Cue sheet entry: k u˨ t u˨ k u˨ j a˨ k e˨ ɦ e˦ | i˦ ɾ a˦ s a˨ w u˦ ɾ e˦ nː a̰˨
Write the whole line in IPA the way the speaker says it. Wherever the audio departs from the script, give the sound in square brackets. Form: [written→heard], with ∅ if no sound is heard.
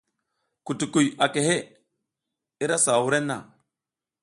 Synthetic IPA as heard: k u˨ t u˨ k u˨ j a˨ k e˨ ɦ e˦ | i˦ ɾ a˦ s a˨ w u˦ ɾ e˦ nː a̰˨